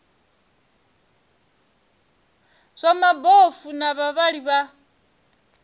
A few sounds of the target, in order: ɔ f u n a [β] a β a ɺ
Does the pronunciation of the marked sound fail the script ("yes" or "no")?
no